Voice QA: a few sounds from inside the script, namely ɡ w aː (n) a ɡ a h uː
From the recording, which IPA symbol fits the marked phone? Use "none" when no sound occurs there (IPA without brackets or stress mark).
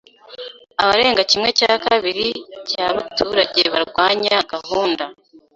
ɲ